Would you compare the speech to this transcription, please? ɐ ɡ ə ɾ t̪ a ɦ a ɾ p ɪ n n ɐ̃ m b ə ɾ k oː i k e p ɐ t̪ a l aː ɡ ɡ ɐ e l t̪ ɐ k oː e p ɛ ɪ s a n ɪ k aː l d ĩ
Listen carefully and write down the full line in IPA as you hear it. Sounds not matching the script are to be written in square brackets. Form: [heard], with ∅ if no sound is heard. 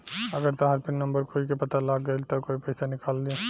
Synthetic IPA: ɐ ɡ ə ɾ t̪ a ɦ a ɾ p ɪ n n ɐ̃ m b ə ɾ k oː i k e p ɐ t̪ a l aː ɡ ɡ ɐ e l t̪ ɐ k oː [i] p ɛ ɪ s a n ɪ k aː l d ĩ